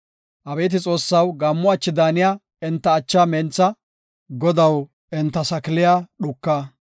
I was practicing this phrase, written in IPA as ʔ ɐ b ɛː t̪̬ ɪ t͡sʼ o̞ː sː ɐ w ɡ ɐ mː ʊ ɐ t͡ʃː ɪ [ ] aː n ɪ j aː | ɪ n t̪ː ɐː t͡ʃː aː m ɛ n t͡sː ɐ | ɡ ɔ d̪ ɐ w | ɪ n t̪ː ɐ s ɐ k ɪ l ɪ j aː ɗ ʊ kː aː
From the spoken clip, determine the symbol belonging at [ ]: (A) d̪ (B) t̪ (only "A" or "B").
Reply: A